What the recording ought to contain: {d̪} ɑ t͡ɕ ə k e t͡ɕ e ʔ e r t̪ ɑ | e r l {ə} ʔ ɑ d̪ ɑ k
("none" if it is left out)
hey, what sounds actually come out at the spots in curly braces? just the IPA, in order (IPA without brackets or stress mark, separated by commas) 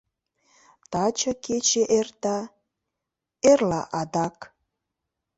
t̪, ɑ